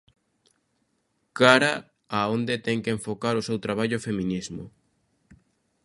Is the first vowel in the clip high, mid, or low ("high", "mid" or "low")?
low